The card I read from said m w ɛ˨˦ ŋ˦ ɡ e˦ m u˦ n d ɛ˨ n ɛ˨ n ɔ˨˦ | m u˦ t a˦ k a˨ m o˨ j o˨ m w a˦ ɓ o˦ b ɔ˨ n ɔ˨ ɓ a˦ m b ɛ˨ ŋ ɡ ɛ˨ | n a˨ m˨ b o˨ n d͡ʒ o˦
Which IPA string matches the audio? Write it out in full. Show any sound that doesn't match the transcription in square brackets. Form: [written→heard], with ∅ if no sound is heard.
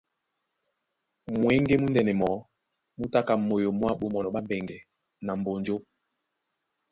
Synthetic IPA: m w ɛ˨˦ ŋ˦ ɡ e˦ m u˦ n d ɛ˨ n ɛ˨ [n→m] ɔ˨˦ | m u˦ t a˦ k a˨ m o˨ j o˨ m w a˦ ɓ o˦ [b→m] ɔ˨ n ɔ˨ ɓ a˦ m b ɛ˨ ŋ ɡ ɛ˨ | n a˨ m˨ b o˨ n d͡ʒ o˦